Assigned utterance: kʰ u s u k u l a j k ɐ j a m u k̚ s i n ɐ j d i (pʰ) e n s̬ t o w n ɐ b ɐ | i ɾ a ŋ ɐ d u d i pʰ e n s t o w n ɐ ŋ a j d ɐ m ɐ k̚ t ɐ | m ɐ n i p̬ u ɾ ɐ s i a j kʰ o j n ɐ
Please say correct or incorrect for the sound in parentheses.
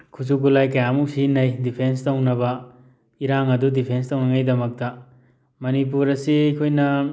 correct